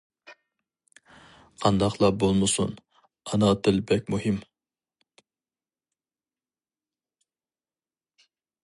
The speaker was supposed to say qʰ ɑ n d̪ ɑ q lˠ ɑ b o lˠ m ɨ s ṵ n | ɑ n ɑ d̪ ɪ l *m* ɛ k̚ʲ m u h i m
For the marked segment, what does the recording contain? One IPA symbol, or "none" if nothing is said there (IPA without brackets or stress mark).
b